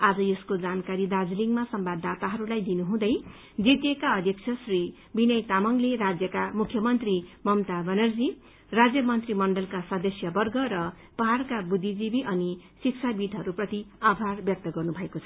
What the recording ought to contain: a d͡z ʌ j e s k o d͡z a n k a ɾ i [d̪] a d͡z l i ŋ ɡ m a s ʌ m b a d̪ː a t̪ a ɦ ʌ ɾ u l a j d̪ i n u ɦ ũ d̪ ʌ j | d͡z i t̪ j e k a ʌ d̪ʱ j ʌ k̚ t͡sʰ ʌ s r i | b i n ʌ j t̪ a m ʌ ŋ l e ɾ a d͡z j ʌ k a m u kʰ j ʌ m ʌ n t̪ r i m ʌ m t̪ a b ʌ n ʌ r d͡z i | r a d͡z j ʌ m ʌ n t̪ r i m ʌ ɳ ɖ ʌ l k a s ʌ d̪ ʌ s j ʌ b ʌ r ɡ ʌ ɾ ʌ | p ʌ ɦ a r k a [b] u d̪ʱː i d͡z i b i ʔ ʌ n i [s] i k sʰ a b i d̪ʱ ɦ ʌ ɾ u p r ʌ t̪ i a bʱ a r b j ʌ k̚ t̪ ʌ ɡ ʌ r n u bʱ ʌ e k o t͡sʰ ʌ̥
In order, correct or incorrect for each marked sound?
correct, correct, correct

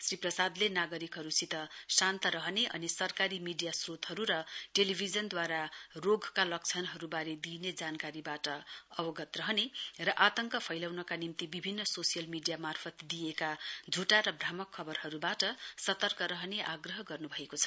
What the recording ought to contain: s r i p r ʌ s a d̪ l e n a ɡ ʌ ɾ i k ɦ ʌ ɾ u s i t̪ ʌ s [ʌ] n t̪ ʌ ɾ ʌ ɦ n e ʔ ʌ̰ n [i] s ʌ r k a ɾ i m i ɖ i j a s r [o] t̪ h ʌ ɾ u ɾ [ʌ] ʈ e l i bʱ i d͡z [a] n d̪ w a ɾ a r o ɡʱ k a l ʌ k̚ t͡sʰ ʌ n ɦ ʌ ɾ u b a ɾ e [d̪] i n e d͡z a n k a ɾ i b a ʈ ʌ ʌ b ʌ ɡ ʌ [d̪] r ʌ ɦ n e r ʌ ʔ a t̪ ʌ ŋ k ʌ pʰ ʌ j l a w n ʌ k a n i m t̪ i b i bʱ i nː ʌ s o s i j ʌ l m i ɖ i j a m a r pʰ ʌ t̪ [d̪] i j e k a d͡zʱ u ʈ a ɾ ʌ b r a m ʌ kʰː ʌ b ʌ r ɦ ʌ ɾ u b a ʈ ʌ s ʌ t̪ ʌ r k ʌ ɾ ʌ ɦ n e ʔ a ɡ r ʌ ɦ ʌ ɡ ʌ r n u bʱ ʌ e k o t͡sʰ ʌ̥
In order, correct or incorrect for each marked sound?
incorrect, correct, correct, correct, incorrect, correct, incorrect, correct

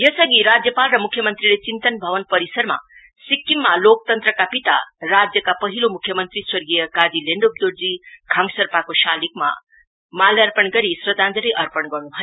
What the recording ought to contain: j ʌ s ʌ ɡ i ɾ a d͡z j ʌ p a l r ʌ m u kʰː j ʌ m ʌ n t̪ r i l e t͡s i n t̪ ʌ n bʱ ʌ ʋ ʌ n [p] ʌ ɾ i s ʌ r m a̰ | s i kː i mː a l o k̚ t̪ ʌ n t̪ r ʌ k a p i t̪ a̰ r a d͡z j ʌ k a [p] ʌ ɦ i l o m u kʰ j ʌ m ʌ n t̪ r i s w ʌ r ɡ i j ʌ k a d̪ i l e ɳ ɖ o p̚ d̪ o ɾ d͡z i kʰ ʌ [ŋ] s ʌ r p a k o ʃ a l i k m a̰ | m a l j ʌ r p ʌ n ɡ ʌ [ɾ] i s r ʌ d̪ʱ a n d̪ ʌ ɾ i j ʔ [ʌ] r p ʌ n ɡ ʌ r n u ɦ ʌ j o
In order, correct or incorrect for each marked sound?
correct, correct, correct, correct, correct

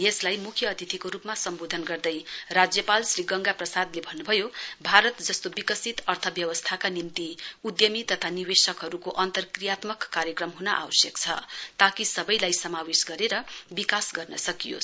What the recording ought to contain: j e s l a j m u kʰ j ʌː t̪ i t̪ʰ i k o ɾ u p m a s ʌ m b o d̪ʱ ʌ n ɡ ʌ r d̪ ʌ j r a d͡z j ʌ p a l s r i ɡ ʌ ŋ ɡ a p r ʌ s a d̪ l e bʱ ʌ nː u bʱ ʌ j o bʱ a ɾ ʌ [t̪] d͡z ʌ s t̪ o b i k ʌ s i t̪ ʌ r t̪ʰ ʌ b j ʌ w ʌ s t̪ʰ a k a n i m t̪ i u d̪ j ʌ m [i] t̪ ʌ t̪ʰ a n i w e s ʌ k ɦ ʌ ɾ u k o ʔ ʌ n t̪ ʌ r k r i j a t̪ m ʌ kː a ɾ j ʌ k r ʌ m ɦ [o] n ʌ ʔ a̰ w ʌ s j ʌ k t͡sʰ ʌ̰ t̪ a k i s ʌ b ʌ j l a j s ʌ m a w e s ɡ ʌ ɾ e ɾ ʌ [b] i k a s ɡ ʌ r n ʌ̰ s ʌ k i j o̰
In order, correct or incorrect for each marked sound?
correct, correct, incorrect, correct

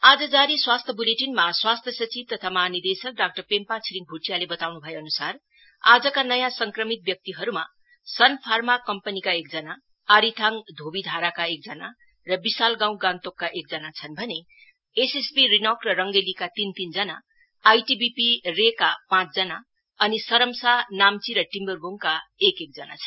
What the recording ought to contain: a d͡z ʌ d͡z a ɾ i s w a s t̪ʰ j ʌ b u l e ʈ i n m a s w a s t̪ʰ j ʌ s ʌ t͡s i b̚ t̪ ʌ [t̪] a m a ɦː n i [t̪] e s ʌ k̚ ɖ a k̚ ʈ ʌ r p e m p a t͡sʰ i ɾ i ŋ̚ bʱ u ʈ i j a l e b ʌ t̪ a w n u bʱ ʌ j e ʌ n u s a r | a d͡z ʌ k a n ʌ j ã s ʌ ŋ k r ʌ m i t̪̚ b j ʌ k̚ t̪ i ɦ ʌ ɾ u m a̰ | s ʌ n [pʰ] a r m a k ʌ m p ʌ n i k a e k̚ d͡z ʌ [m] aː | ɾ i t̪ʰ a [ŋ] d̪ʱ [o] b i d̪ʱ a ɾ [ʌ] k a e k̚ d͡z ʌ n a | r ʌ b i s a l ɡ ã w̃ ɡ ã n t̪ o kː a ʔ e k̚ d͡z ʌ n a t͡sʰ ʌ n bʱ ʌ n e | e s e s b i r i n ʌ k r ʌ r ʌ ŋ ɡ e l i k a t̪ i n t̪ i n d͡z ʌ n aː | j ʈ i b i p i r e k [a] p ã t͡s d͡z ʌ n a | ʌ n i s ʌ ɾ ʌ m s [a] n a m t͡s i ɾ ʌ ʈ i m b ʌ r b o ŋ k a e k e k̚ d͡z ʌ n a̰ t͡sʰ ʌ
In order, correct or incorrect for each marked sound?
incorrect, incorrect, correct, incorrect, correct, correct, incorrect, correct, correct

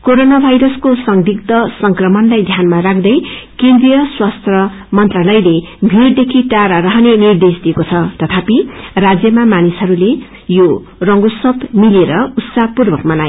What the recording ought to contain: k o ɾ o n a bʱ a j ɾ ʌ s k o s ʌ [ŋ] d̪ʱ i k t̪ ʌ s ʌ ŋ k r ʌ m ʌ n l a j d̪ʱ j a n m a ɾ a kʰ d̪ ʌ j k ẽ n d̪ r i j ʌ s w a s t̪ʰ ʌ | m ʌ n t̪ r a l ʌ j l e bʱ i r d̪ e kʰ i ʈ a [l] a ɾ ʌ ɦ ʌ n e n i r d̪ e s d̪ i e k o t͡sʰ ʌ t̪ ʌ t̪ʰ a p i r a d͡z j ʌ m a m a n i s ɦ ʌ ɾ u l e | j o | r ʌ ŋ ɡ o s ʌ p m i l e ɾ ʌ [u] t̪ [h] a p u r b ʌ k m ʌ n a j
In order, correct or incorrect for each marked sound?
correct, incorrect, correct, incorrect

